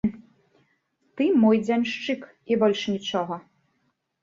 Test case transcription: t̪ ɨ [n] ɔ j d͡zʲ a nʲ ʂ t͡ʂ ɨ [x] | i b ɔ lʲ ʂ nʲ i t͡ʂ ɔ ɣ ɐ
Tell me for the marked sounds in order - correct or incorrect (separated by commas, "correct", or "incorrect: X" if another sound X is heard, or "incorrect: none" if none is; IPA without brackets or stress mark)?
incorrect: m, incorrect: k